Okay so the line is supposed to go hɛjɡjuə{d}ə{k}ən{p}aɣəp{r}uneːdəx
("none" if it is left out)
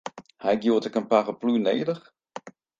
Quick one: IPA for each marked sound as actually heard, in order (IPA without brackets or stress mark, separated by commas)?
t, k, p, l